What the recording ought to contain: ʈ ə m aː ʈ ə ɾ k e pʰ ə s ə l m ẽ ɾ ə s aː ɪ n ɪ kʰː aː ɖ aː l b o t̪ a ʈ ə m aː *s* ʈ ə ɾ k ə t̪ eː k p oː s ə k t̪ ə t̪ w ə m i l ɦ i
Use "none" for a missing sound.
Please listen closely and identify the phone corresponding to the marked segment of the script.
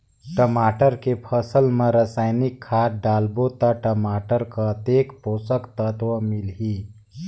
none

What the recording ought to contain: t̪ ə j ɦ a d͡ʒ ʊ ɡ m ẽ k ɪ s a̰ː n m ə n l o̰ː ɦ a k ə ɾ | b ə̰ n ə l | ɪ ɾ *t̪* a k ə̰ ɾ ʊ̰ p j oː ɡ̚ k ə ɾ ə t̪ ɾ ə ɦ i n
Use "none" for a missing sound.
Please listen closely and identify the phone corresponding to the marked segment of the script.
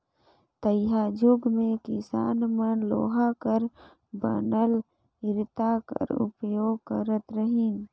t̪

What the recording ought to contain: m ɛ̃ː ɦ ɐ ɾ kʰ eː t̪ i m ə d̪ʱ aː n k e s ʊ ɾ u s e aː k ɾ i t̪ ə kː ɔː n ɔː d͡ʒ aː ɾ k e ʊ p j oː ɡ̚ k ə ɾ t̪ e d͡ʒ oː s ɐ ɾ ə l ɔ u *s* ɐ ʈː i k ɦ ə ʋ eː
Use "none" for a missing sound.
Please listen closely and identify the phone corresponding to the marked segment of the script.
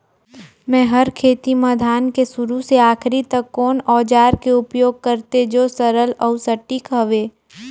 s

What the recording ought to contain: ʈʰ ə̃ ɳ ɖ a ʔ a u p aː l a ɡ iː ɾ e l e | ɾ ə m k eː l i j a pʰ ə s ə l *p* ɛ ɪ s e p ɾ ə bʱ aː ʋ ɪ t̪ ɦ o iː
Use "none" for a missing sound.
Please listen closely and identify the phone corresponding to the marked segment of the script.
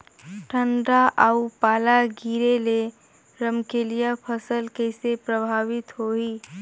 k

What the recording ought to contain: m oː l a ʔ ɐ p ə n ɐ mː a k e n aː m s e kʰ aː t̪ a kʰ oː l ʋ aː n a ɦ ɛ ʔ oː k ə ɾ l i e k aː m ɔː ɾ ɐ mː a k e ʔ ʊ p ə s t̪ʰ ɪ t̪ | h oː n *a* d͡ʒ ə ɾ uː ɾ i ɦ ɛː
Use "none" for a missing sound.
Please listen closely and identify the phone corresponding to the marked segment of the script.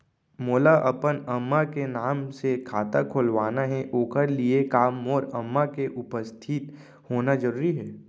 a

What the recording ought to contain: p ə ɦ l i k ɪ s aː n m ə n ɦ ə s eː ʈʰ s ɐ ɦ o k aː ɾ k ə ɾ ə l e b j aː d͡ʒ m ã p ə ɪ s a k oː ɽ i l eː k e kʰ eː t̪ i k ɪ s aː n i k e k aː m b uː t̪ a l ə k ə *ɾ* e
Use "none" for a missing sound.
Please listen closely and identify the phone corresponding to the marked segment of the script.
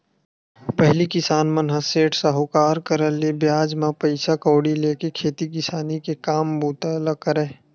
ɾ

